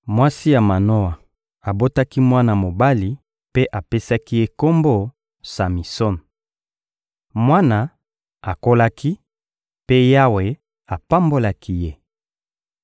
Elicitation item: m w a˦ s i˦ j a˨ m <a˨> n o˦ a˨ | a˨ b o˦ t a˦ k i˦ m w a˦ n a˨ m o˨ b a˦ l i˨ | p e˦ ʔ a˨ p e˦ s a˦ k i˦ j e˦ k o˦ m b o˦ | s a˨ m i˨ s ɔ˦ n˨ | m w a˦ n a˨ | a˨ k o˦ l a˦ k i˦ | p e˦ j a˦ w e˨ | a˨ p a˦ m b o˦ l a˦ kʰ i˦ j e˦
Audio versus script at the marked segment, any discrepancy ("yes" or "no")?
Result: no